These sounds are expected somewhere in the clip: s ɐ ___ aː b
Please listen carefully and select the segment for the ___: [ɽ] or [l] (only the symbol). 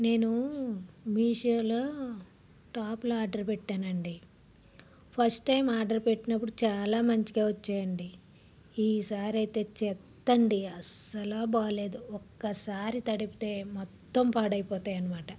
l